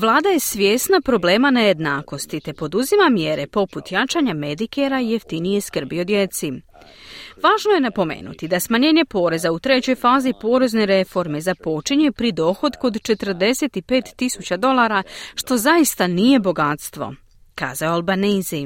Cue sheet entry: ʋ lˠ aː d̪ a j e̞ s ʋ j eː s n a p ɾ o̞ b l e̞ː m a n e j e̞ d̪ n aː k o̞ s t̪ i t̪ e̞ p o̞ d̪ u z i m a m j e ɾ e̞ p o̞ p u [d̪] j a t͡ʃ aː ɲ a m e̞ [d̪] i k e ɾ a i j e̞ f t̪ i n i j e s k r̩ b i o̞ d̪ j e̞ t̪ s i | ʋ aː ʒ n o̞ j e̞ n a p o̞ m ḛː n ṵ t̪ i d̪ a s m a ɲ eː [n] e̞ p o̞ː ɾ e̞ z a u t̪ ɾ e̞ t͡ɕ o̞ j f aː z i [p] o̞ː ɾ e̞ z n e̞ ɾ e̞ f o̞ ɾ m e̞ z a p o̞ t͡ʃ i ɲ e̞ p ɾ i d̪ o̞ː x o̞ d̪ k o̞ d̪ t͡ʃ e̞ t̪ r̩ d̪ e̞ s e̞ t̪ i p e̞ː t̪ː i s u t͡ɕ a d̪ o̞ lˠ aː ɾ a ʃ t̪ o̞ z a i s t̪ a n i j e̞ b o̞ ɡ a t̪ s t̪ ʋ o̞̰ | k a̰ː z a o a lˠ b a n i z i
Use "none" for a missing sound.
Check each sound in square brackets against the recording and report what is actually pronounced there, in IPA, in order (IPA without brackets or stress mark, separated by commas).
t̪, d̪, ɲ, p